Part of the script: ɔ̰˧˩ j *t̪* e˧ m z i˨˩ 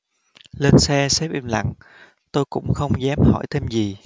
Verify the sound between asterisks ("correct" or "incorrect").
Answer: incorrect